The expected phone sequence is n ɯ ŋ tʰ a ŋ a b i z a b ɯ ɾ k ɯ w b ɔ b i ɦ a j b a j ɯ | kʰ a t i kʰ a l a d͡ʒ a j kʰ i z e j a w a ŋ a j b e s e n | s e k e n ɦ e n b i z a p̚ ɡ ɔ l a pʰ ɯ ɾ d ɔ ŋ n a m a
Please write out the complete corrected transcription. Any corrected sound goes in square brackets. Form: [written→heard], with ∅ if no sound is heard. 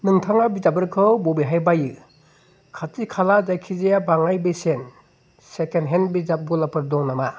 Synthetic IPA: n ɯ ŋ tʰ a ŋ a b i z a b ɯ ɾ [k→kʰ] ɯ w b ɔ b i ɦ a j b a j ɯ | kʰ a t i kʰ a l a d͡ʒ a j kʰ i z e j a [w→b] a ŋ a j b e s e n | s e k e n ɦ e n b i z a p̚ ɡ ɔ l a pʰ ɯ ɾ d ɔ ŋ n a m a